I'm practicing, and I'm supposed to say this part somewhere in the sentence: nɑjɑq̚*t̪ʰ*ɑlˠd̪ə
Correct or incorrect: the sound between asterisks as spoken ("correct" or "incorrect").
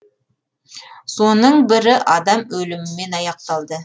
incorrect